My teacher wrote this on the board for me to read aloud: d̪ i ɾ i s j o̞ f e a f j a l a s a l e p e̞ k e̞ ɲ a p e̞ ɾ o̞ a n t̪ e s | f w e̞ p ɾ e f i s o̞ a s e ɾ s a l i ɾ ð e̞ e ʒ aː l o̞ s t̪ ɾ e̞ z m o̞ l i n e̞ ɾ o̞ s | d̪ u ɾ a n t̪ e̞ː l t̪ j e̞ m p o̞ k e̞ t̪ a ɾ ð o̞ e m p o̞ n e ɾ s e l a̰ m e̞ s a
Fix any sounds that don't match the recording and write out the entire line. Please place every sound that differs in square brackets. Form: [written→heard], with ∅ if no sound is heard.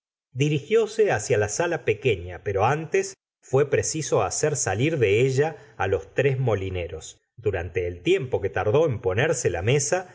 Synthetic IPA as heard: d̪ i ɾ i [s→x] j o̞ [f→s] e a [f→s] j a l a s a l [e→a] p e̞ k e̞ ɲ a p e̞ ɾ o̞ a n t̪ e s | f w e̞ p ɾ e [f→s] i s o̞ a s e ɾ s a l i ɾ ð e̞ e ʒ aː l o̞ s t̪ ɾ e̞ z m o̞ l i n e̞ ɾ o̞ s | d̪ u ɾ a n t̪ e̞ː l t̪ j e̞ m p o̞ k e̞ t̪ a ɾ ð o̞ e m p o̞ n e ɾ s e l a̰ m e̞ s a